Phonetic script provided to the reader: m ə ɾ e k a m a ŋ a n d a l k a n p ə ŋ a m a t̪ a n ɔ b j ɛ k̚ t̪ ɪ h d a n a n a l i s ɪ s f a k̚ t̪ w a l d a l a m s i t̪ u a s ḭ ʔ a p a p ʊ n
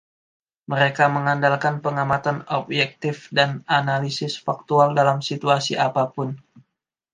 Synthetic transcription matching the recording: m ə ɾ e k a m ə ŋ a n d a l k a n p ə ŋ a m a t̪ a n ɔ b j ɛ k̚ t̪ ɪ f d a n a n a l i s ɪ s f a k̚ t̪ u a l d a l a m s i t̪ u a s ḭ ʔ a p a p ʊ n